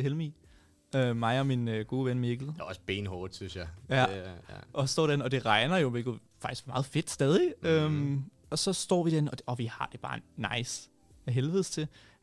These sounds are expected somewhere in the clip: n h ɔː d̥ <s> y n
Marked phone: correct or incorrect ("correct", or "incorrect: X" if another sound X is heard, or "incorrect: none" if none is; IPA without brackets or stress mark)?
correct